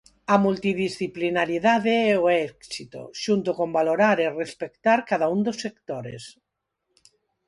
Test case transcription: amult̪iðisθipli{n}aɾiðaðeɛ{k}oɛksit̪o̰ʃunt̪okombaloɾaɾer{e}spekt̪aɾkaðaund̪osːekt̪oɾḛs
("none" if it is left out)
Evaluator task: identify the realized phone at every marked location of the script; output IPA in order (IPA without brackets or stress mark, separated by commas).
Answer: n, none, e